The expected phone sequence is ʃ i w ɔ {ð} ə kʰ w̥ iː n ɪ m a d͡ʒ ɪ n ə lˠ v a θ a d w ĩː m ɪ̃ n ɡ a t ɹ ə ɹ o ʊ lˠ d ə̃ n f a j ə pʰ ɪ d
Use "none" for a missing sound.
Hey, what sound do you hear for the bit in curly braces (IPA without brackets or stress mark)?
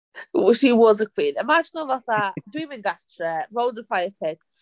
z